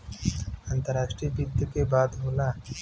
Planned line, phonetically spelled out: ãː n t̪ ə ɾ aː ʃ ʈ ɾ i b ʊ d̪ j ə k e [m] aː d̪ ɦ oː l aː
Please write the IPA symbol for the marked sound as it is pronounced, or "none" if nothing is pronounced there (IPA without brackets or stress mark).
b